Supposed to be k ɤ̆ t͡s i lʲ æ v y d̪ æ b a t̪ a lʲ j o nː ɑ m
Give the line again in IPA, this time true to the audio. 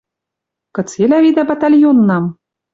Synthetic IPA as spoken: k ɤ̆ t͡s e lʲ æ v i d̪ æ b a t̪ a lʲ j o nː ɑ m

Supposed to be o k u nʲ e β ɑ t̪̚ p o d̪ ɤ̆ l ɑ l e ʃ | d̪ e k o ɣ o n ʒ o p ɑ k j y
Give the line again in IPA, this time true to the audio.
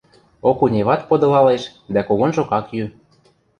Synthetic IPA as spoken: o k u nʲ e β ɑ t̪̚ p o d̪ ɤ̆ l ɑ l e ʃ | d̪ æ k o ɣ o n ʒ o k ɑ k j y

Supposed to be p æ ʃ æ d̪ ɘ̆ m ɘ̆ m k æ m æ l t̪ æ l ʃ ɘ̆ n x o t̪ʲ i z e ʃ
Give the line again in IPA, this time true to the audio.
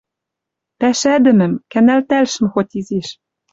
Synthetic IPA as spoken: p æ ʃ æ d̪ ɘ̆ m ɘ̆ m k æ n æ l t̪ æ l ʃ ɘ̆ m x o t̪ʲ i z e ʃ

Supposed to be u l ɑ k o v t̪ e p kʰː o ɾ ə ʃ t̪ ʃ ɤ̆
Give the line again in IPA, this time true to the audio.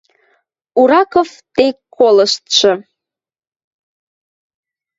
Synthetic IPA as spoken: u ɾ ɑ k o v t̪ e k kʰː o l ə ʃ t̪ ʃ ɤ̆

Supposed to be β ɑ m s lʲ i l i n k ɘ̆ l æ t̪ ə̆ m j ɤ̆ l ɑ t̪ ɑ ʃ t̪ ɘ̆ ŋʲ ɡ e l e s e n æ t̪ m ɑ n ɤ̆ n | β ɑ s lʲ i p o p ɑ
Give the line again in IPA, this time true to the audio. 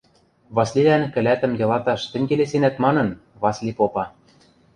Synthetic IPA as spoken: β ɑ s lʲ i l æ n k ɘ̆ l æ t̪ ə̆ m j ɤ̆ l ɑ t̪ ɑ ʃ t̪ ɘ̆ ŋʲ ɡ e l e s e n æ t̪ m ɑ n ɤ̆ n | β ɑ s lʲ i p o p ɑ

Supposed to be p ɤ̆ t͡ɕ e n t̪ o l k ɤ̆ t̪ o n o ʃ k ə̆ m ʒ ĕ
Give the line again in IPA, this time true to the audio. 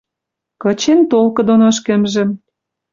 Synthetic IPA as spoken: k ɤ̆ t͡ɕ e n t̪ o l k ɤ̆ d̪ o n o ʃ k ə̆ m ʒ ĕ

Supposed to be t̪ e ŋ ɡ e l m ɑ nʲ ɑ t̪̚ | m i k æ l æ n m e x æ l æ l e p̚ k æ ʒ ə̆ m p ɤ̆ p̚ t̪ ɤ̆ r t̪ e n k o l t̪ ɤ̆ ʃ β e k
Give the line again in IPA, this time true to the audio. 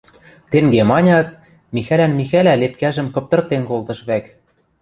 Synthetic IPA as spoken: t̪ e ŋ ɡ e m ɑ nʲ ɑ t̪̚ | m i x æ l æ n m i x æ l æ l e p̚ k æ ʒ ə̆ m k ɤ̆ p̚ t̪ ɤ̆ r t̪ e n k o l t̪ ɤ̆ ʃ β æ k

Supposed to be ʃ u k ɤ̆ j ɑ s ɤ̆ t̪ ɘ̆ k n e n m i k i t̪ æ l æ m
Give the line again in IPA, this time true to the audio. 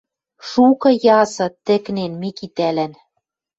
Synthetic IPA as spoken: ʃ u k ɤ̆ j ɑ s ɤ̆ t̪ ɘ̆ k n e n m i k i t̪ æ l æ n

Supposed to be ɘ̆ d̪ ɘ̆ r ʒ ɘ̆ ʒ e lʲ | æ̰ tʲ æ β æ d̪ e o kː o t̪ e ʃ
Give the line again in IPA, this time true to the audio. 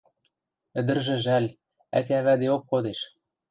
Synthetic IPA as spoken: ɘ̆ d̪ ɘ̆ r ʒ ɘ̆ ʒ æ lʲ | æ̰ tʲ æ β æ d̪ e o kː o d̪ e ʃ

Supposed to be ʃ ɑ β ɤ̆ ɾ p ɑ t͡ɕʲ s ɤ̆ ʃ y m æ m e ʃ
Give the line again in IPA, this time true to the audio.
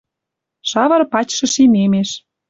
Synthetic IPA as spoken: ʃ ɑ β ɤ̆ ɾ p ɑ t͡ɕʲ ʃ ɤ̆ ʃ i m e m e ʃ

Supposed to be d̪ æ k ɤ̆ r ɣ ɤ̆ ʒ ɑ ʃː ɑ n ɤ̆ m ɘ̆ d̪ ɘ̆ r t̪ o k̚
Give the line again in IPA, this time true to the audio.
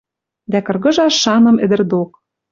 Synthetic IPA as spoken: d̪ æ k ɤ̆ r ɣ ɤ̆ ʒ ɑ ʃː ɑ n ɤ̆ m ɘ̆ d̪ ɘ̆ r d̪ o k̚

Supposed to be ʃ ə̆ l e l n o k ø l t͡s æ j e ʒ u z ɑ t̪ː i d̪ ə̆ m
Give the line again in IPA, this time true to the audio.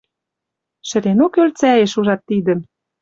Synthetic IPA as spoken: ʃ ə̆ ɾ e n o k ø l t͡s æ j e ʃ u ʒ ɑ t̪ː i d̪ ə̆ m

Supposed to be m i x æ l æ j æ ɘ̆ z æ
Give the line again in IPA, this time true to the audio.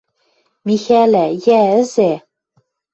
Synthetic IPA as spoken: m i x æ l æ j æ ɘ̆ z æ

